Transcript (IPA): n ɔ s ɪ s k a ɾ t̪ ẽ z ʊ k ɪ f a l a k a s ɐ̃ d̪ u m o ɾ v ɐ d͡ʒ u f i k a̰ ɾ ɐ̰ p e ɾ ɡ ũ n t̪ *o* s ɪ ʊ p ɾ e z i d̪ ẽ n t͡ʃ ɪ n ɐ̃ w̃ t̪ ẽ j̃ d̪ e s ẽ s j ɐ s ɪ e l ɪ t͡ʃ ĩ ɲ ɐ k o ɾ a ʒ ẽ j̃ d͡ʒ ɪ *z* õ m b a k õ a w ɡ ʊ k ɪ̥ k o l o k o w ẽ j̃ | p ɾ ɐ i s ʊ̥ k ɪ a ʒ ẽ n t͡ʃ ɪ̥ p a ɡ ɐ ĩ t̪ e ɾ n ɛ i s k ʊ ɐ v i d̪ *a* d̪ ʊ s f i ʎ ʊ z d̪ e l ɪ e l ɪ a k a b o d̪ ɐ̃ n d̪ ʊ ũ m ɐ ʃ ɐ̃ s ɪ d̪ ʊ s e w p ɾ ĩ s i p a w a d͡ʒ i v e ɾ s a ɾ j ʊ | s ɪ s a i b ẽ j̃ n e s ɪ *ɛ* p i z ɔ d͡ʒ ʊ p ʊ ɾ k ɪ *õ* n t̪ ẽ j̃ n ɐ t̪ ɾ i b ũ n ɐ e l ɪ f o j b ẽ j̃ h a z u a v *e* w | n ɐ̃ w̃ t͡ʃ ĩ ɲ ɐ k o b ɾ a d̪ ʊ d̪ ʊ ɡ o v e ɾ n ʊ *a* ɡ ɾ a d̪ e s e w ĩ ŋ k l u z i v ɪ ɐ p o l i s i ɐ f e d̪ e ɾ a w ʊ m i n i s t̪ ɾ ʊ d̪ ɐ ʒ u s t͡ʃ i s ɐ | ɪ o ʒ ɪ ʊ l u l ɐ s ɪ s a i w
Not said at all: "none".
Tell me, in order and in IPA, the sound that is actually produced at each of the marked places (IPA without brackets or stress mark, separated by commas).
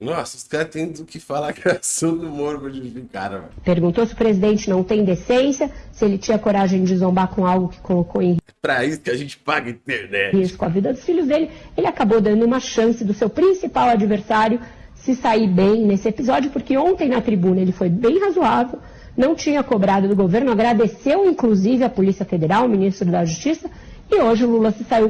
o, z, ɐ, e, õ, e, a